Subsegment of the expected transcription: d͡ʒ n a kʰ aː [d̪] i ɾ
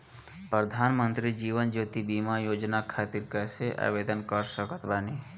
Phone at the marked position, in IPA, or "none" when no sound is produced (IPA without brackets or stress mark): t̪